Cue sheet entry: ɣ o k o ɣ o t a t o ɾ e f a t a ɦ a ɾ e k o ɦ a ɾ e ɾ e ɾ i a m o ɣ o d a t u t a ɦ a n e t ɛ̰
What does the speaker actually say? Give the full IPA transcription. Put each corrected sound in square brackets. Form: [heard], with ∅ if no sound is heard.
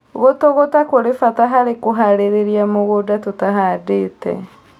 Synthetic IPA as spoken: ɣ o [t] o ɣ o t a [k] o ɾ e f a t a ɦ a ɾ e k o ɦ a ɾ e ɾ e ɾ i a m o ɣ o d a t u t a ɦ a [d] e t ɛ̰